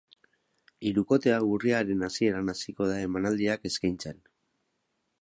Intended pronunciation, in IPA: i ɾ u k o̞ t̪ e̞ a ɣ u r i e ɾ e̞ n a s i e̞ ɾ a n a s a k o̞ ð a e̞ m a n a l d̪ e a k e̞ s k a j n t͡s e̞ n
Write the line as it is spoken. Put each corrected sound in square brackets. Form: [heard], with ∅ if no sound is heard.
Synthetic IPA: i ɾ u k o̞ t̪ e̞ a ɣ u r i [a] ɾ e̞ n a s i e̞ ɾ a n a s [i] k o̞ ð a e̞ m a n a l d̪ [i] a k e̞ s k a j n t͡s e̞ n